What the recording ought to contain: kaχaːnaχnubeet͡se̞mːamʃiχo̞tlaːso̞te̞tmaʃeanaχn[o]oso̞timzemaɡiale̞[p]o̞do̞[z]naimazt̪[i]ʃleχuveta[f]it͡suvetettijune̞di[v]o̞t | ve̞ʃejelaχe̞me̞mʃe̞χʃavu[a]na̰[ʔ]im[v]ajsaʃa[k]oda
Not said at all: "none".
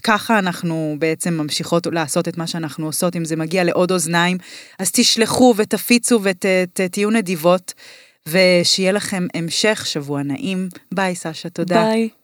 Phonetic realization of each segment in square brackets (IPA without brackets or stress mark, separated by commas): u, ʔ, z, i, f, v, a, ʔ, b, t